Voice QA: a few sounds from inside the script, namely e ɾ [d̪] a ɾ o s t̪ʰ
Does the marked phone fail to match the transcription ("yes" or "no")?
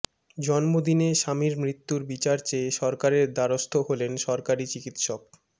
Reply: no